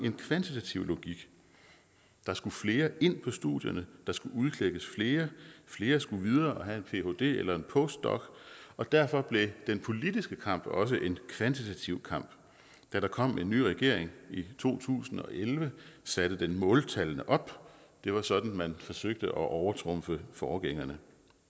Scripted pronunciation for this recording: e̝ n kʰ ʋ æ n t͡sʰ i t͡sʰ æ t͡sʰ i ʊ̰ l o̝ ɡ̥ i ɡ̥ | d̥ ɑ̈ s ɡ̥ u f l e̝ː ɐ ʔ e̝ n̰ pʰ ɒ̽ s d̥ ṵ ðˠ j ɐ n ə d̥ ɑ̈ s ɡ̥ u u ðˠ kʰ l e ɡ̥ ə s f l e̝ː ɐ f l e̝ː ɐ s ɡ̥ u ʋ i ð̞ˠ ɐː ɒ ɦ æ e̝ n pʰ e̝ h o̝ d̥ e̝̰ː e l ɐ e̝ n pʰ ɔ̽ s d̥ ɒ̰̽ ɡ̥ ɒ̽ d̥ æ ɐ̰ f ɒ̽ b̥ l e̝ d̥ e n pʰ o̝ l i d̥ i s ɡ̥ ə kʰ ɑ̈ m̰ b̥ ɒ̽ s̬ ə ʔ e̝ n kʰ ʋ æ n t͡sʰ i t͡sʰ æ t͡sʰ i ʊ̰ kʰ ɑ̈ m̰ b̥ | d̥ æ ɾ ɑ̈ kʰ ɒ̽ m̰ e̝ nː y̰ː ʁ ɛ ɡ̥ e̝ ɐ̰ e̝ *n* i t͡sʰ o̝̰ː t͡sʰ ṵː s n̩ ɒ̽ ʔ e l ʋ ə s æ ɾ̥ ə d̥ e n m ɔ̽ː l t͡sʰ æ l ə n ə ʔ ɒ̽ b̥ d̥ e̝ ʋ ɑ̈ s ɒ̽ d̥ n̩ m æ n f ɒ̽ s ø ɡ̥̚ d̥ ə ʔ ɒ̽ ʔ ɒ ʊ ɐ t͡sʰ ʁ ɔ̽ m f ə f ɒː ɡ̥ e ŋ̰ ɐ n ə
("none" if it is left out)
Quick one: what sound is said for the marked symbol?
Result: ŋ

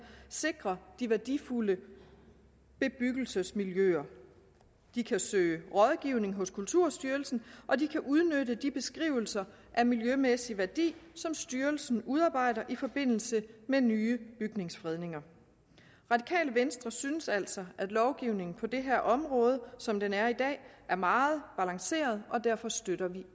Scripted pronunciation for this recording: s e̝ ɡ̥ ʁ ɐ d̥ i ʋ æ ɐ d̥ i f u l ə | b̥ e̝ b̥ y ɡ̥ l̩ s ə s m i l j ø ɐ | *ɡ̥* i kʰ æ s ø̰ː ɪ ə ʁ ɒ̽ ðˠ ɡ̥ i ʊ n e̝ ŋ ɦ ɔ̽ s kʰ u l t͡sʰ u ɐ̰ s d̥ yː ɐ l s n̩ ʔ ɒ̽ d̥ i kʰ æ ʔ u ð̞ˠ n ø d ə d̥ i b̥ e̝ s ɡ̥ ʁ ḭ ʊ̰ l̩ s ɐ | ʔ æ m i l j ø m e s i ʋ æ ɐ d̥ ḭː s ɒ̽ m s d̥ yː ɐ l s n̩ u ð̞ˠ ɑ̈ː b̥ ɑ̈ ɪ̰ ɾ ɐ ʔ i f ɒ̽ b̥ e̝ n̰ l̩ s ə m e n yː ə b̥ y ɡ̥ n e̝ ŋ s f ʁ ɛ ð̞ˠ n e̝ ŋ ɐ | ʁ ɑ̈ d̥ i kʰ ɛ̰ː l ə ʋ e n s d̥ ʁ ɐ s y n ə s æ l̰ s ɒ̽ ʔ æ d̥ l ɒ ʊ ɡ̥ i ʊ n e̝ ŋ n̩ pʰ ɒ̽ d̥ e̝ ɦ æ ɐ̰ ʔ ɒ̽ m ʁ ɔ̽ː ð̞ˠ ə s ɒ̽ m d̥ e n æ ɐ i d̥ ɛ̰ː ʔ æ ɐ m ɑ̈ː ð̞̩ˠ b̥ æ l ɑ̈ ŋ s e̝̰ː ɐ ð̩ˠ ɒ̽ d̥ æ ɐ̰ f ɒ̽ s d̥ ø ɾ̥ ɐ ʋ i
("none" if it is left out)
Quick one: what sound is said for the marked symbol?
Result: d̥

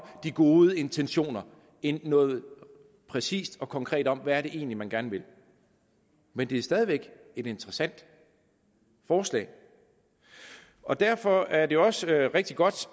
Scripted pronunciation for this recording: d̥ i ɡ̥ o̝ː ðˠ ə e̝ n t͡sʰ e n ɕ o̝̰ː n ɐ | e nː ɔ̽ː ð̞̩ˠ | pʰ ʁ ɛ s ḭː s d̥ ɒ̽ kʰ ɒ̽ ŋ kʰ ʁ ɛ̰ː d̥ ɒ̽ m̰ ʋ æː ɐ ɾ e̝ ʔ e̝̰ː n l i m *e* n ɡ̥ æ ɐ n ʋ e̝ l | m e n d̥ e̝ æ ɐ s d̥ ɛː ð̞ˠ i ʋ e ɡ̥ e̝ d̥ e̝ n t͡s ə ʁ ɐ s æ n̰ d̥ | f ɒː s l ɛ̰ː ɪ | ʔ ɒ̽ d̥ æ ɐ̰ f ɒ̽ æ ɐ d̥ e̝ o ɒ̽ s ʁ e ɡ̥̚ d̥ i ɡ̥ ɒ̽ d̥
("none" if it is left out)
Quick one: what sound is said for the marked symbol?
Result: æ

